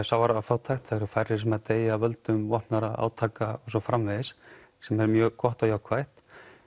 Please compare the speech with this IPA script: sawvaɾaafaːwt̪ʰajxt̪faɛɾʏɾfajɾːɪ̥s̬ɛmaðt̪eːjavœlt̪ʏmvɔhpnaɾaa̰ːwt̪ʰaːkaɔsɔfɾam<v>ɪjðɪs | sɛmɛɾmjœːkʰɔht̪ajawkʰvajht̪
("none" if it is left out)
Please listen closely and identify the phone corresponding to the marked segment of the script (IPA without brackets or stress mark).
v